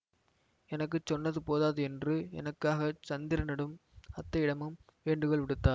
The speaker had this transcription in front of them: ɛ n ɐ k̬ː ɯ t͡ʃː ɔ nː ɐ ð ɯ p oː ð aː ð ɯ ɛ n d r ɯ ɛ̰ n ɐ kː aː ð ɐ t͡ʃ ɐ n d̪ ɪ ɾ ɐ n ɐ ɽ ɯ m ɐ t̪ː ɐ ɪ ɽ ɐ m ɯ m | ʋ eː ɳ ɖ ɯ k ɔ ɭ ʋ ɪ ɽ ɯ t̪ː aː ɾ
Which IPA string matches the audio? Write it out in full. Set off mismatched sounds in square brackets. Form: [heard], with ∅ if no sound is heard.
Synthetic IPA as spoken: ɛ n ɐ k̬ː ɯ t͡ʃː ɔ nː ɐ ð ɯ p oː ð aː ð ɯ ɛ n d r ɯ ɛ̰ n ɐ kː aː [ɣ] ɐ t͡ʃ ɐ n d̪ ɪ ɾ ɐ n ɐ ɽ ɯ m ɐ t̪ː ɐ ɪ ɽ ɐ m ɯ m | ʋ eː ɳ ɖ ɯ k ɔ ɭ ʋ ɪ ɽ ɯ t̪ː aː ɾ